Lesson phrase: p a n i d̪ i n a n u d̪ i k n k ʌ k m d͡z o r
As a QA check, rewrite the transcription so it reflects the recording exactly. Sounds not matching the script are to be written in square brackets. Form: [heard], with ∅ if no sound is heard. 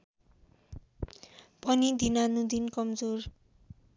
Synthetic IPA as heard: p [ʌ] n i d̪ i n a n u d̪ i [∅] n k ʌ [∅] m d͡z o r